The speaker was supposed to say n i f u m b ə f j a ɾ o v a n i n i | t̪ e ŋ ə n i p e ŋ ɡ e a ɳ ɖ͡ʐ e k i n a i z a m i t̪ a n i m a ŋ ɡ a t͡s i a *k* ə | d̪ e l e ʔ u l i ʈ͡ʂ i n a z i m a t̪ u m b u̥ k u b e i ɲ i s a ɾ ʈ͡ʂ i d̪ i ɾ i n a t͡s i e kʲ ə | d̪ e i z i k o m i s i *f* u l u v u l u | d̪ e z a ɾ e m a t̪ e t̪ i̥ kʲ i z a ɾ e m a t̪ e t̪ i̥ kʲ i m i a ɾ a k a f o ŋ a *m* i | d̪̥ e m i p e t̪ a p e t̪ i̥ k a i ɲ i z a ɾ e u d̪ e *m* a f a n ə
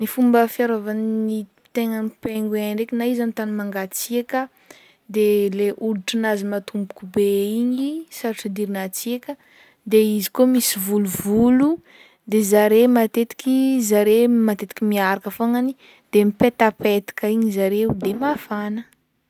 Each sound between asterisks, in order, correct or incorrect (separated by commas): correct, incorrect, incorrect, correct